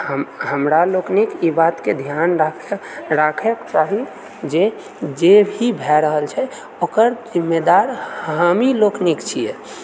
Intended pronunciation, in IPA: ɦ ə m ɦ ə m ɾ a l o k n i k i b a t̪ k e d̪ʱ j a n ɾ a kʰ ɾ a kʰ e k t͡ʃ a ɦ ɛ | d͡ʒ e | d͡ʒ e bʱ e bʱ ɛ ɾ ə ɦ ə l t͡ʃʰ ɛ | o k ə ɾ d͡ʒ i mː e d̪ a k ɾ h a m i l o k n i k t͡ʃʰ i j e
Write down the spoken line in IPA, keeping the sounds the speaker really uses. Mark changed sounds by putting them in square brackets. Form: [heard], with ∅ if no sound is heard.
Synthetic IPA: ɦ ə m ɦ ə m ɾ a l o k n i k i b a t̪ k e d̪ʱ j a n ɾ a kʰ ɾ a kʰ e k t͡ʃ a ɦ [i] | d͡ʒ e | d͡ʒ e bʱ [i] bʱ ɛ ɾ ə ɦ ə l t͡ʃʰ ɛ | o k ə ɾ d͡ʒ i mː e d̪ a [∅] ɾ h a m i l o k n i k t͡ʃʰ i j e